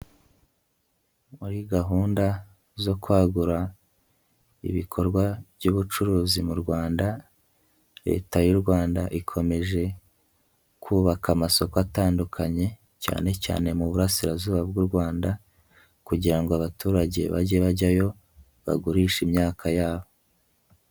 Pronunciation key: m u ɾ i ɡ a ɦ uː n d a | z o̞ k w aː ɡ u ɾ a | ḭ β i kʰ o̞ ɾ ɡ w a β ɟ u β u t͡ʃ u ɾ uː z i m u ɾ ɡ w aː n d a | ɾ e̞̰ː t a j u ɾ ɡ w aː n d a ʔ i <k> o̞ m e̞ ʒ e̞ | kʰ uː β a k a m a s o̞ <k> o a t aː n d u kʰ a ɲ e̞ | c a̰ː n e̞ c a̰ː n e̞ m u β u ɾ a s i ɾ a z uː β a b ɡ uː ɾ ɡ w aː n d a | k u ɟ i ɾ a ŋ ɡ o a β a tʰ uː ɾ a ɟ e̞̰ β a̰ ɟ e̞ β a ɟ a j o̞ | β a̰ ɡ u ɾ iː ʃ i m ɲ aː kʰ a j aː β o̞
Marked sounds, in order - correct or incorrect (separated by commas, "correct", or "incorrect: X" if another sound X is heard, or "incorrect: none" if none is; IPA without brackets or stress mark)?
incorrect: kʰ, correct